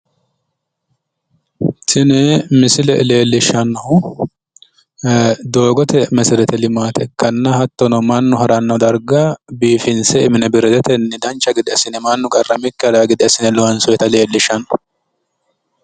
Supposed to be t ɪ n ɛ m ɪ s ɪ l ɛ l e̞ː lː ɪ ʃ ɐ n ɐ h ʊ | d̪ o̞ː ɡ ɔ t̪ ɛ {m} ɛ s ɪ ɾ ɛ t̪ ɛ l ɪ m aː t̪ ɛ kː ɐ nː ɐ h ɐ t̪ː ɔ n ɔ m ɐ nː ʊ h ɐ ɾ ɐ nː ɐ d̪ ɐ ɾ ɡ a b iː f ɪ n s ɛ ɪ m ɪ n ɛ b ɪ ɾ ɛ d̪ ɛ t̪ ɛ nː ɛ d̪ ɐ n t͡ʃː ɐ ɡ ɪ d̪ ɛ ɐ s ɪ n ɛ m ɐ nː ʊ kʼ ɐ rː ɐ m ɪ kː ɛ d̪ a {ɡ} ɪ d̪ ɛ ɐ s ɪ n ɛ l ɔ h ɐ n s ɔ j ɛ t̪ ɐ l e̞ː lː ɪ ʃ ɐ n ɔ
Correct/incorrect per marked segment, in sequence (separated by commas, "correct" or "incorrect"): correct, correct